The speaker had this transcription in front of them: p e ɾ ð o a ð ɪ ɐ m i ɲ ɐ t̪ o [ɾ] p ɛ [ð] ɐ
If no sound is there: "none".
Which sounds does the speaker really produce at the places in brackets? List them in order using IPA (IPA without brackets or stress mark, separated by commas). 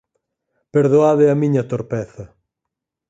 ɾ, θ